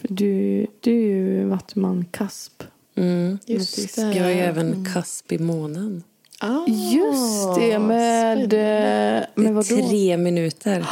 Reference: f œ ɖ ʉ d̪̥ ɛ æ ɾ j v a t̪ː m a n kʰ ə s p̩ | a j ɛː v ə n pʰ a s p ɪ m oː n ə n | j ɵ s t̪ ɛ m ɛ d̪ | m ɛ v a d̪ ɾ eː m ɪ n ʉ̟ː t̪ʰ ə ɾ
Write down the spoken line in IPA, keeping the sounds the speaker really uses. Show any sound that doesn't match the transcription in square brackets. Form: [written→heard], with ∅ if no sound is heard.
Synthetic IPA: f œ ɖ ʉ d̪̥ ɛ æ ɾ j v a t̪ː m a n kʰ [ə→a] s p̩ | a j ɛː v ə n [pʰ→kʰ] a s p ɪ m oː n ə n | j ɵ s t̪ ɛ m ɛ d̪ | m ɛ v a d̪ ɾ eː m ɪ n ʉ̟ː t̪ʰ ə ɾ